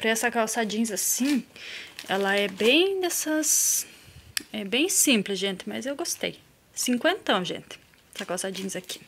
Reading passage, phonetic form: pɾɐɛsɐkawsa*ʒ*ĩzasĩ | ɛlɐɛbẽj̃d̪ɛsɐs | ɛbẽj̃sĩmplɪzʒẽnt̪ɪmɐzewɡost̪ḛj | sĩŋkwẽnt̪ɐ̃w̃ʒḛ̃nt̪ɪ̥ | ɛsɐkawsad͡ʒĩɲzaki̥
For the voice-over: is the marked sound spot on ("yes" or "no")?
no